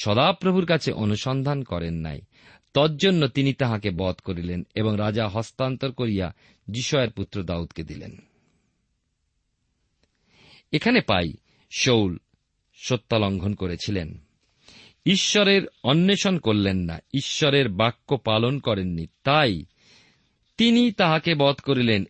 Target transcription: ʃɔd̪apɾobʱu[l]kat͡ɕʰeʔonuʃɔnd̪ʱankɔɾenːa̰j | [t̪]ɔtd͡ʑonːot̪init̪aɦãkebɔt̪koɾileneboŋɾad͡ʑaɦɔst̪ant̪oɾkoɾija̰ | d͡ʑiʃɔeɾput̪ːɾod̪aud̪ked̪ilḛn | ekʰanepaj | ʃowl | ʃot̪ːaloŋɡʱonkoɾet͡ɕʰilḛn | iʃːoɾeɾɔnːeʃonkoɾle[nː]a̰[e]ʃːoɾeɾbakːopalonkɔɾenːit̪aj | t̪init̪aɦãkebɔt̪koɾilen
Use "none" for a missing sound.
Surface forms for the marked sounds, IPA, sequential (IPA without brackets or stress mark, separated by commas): ɾ, t̪, nː, i